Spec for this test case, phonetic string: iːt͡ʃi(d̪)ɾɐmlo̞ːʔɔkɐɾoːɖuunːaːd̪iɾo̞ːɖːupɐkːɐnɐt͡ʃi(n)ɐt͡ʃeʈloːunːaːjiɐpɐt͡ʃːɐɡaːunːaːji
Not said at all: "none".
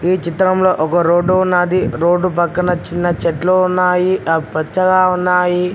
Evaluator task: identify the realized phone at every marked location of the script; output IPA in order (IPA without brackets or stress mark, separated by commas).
t̪, nː